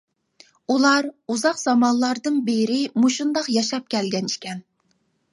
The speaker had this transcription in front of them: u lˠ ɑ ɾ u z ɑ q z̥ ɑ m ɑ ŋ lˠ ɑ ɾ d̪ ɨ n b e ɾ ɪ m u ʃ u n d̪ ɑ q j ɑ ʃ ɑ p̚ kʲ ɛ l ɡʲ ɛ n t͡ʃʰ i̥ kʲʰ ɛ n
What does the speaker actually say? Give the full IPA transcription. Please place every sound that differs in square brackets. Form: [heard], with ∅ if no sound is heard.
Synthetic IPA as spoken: u lˠ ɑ ɾ u z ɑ q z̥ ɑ m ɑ [n] lˠ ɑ ɾ d̪ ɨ n b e ɾ ɪ m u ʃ u n d̪ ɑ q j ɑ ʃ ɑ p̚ kʲ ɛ l ɡʲ ɛ n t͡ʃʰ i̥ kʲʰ ɛ n